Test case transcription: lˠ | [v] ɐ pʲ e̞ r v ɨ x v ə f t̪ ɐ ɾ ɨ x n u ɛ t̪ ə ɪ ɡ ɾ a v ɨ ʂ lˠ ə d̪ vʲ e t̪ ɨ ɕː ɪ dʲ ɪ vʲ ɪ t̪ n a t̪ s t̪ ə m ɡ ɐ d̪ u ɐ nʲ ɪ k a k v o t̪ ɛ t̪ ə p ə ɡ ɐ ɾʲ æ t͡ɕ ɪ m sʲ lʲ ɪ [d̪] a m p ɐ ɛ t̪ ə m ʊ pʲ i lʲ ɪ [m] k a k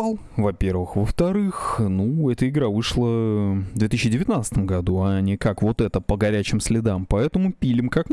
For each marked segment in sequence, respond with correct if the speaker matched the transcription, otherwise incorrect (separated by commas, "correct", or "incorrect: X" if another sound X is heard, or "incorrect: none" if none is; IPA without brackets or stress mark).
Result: correct, correct, correct